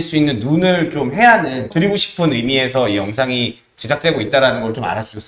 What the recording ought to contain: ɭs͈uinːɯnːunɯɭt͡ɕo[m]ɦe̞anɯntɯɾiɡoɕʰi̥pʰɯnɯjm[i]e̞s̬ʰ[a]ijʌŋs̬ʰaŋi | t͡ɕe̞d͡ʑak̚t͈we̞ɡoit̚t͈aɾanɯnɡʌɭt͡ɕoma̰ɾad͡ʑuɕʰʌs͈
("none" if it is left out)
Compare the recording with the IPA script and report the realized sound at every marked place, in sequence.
m, i, ʌ

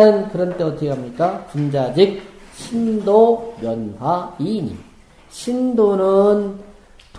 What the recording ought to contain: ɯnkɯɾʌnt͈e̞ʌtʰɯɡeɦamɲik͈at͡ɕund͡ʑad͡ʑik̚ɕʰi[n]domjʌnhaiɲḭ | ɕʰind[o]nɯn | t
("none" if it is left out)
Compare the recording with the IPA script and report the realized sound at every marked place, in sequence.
n, o

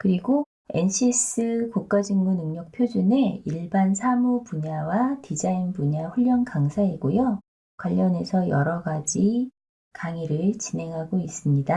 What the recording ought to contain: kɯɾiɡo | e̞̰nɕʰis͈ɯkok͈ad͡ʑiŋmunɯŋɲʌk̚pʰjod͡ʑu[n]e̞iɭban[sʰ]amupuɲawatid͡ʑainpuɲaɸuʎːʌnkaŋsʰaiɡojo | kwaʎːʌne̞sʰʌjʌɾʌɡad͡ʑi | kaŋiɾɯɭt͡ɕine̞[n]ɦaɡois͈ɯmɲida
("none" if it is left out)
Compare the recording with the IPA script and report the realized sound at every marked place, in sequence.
n, sʰ, ŋ

